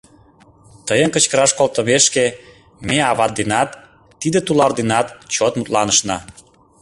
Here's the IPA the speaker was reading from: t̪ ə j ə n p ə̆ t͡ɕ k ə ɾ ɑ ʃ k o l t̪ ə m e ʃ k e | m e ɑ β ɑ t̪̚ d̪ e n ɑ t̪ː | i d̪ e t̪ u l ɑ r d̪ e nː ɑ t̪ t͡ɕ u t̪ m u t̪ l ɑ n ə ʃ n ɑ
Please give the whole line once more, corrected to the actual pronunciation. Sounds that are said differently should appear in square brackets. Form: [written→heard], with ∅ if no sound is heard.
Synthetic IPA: t̪ ə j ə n [p→k] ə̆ t͡ɕ k ə ɾ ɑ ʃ k o l t̪ ə m e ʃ k e | m e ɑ β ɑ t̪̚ d̪ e n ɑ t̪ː | i d̪ e t̪ u l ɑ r d̪ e [nː→n] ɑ t̪ t͡ɕ [u→o] t̪ m u t̪ l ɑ n ə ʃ n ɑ